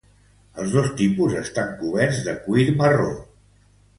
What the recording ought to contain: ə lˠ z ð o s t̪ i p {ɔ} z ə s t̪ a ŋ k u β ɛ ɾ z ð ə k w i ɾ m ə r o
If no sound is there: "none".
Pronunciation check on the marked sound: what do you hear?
u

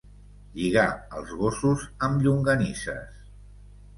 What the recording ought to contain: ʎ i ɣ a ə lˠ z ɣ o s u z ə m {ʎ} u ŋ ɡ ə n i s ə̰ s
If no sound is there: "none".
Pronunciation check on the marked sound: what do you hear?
ʎ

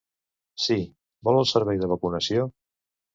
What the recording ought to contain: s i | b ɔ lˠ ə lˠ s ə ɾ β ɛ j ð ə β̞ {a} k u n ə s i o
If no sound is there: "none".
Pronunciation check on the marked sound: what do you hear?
ə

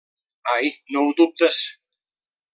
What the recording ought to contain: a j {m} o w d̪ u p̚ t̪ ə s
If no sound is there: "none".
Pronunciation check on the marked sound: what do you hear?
n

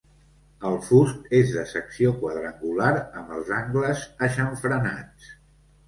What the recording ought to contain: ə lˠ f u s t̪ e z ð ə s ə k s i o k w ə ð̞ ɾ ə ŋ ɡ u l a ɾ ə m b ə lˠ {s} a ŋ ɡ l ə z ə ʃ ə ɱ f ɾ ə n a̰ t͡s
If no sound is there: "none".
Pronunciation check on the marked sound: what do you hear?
z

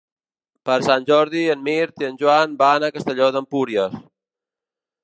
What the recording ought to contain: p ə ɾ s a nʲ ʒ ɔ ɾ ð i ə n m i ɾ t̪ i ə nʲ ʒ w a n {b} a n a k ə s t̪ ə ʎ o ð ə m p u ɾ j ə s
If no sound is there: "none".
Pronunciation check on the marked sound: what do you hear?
b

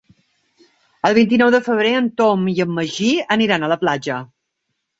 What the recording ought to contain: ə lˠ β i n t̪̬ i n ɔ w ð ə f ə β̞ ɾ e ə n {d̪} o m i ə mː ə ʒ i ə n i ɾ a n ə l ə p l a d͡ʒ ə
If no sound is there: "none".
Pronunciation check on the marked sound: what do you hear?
t̪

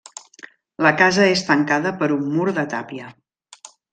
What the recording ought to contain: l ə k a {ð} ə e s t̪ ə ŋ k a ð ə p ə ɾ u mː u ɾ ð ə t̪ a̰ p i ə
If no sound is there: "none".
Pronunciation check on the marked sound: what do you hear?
z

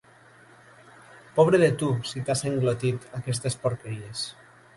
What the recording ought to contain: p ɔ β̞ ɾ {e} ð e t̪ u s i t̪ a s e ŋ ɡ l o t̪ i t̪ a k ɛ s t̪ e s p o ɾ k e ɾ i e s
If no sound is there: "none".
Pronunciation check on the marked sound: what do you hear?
e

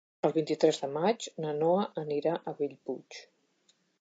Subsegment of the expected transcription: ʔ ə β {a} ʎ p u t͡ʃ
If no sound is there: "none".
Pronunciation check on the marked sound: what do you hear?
i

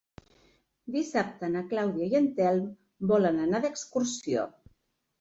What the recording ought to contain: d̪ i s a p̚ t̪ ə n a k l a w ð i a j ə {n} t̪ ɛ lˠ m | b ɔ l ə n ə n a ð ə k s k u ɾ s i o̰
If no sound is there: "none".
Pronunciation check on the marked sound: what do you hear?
n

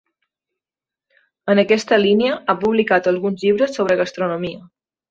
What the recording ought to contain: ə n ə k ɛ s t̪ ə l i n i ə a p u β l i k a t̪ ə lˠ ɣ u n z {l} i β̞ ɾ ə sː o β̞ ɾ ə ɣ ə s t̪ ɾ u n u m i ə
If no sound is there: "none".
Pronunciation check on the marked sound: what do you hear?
ʎ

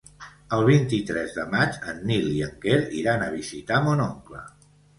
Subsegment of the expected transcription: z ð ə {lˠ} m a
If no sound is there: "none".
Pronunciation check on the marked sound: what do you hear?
none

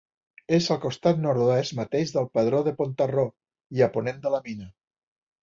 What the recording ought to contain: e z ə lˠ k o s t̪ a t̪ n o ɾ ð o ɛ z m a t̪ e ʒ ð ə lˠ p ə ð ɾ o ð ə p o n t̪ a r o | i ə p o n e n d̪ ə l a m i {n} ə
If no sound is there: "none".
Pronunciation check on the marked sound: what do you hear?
n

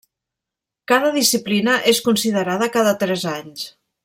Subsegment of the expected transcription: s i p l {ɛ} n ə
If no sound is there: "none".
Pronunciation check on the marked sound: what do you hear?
i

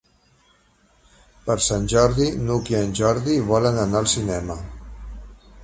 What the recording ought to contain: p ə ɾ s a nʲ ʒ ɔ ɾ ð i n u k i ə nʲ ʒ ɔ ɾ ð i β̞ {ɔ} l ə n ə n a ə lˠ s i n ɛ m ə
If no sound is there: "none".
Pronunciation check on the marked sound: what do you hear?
ɔ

